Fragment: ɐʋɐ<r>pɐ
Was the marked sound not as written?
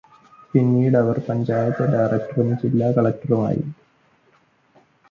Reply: no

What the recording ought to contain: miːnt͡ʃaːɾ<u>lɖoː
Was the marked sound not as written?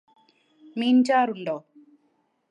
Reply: no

